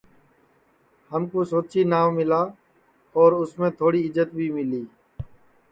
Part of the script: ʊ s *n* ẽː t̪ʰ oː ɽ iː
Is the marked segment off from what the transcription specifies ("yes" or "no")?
yes